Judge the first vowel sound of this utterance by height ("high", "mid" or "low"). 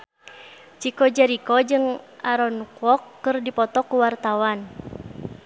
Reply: high